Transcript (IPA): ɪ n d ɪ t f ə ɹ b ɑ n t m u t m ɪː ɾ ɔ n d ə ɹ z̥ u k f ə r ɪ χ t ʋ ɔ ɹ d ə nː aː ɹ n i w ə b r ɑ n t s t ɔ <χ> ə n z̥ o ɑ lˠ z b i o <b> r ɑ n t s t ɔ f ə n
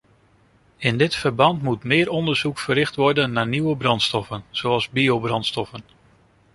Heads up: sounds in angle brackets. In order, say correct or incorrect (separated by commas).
incorrect, correct